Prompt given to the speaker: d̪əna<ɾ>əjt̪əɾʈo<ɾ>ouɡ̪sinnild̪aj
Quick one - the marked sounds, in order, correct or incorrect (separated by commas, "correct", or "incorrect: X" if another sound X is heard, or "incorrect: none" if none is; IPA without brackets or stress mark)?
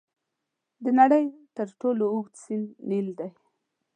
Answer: incorrect: ɽ, incorrect: l